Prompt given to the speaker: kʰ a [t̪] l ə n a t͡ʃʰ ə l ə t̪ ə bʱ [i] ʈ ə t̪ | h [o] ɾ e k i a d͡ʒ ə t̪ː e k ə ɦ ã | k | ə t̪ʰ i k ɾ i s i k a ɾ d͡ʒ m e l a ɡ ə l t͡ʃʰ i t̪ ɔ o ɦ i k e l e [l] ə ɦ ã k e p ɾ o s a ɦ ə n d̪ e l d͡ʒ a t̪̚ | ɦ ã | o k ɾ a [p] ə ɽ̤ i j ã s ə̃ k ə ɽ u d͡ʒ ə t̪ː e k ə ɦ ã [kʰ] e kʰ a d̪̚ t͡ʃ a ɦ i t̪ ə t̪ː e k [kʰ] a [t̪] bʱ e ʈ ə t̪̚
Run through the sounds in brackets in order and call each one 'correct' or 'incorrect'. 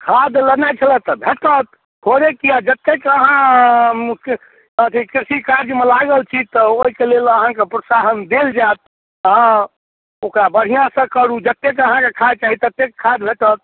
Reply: incorrect: d̪, incorrect: e, correct, correct, incorrect: b, incorrect: k, correct, incorrect: d̪

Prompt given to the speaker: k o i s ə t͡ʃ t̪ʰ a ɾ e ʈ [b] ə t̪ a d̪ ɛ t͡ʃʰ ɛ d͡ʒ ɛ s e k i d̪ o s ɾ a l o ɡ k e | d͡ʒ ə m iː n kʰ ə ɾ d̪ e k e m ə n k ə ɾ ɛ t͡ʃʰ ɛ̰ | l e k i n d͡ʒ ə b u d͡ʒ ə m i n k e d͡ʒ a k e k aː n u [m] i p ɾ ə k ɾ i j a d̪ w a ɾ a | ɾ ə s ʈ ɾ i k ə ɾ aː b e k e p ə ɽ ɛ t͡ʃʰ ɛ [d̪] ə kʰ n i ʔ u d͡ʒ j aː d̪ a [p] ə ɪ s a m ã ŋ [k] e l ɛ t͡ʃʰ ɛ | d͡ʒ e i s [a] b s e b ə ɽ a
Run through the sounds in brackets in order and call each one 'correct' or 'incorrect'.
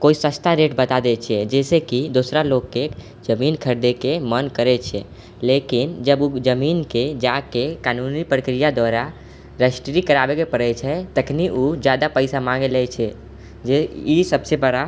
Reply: correct, incorrect: n, incorrect: t̪, correct, incorrect: ɡ, incorrect: ə

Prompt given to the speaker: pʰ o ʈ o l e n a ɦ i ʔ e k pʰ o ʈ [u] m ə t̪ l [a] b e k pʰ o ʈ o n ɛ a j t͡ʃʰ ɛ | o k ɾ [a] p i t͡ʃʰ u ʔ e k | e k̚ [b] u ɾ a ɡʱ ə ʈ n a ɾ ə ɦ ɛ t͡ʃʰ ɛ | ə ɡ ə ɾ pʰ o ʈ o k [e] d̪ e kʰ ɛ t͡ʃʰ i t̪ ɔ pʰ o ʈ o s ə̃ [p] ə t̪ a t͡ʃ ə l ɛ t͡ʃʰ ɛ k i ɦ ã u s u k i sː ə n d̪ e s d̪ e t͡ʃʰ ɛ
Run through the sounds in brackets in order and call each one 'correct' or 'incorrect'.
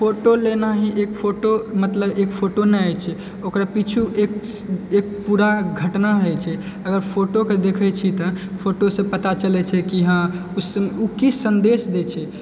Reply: incorrect: o, incorrect: ə, correct, incorrect: p, correct, correct

